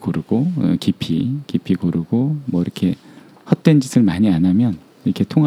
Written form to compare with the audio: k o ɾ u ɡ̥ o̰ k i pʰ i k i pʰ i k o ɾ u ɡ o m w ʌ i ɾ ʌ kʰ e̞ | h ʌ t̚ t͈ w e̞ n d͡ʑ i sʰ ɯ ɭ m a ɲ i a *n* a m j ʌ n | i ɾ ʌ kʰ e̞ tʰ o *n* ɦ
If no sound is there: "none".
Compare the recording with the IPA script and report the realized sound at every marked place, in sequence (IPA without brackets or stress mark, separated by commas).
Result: n, ŋ